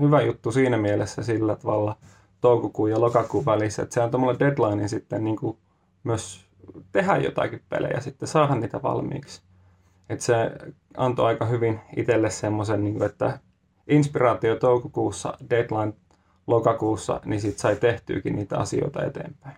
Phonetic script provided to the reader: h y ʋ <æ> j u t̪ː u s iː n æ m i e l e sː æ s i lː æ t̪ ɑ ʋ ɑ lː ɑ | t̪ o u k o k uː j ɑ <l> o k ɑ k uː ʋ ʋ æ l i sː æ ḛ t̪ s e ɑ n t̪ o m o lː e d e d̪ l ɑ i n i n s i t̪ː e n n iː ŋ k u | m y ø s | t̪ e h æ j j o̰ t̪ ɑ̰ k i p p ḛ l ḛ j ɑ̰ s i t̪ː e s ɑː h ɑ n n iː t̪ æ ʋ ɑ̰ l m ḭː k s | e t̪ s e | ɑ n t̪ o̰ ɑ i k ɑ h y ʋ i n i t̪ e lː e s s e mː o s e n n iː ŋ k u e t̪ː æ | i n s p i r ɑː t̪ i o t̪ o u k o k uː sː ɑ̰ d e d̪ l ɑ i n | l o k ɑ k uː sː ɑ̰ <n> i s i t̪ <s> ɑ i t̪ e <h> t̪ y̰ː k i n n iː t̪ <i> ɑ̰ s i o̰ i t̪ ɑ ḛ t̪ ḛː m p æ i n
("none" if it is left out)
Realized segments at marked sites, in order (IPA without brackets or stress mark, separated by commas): æ, l, n, s, h, æ